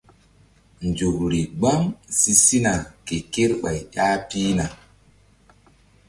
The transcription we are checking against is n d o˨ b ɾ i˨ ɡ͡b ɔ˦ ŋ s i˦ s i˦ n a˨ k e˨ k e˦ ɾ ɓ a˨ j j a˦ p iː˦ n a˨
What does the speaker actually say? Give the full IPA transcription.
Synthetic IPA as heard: n d͡ʒ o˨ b ɾ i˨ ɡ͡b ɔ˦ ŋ s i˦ s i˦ n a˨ k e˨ k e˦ ɾ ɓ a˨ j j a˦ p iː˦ n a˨